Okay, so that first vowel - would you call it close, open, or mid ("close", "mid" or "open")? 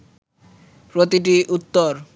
mid